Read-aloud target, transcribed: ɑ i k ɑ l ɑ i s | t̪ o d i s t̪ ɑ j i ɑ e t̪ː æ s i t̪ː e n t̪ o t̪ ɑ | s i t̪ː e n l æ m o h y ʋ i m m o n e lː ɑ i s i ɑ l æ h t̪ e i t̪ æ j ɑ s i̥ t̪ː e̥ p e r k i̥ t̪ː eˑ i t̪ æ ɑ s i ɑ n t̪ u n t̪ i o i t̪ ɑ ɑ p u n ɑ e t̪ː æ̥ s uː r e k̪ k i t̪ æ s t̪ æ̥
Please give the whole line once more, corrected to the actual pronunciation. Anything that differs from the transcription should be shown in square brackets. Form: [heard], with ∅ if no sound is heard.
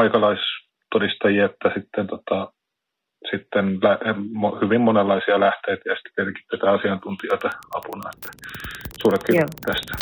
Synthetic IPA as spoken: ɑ i k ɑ l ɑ i s | t̪ o d i s t̪ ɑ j i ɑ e t̪ː æ s i t̪ː e n t̪ o t̪ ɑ | s i t̪ː e n l æ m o h y ʋ i m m o n e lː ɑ i s i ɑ l æ h t̪ e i t̪ æ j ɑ s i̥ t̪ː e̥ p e r k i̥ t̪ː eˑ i t̪ æ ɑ s i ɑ n t̪ u n t̪ i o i t̪ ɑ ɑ p u n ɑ e t̪ː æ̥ s uː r e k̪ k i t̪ æ s t̪ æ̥